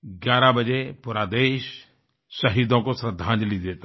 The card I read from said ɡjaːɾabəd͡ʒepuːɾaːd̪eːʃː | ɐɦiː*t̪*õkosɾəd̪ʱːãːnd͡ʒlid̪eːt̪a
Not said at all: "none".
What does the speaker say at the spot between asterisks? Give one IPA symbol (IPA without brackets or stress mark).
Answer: d̪